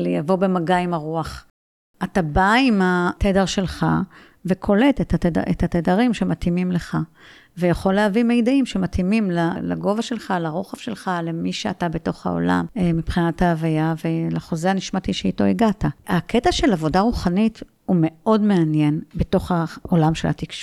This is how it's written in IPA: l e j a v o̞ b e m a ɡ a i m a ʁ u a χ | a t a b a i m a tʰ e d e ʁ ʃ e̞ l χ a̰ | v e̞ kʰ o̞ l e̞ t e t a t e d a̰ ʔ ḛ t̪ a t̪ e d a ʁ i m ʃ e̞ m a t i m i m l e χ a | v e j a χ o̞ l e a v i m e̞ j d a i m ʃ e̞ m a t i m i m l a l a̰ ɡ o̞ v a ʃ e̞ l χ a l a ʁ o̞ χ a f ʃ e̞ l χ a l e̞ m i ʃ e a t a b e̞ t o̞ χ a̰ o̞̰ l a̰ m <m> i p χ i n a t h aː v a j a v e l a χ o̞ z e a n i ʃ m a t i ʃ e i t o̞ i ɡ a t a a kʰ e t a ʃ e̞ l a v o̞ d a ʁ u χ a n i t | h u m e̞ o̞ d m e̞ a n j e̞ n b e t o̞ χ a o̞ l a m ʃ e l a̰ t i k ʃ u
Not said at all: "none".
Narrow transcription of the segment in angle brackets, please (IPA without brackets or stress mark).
m